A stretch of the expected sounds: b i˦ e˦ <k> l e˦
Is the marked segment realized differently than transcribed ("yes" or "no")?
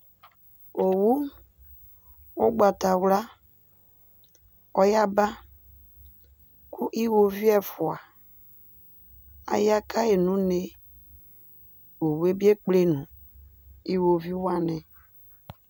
yes